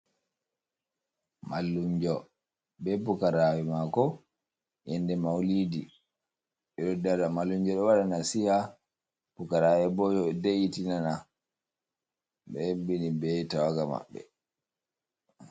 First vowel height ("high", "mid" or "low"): low